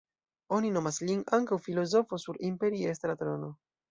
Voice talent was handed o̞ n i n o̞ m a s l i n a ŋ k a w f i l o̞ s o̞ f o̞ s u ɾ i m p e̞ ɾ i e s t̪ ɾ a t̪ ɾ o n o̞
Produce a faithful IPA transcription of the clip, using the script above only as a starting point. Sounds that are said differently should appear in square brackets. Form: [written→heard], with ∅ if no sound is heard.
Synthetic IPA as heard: o̞ n i n o̞ m a s l i n a ŋ k a w f i l o̞ [s→z] o̞ f o̞ s u ɾ i m p e̞ ɾ i e s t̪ ɾ a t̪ ɾ o n o̞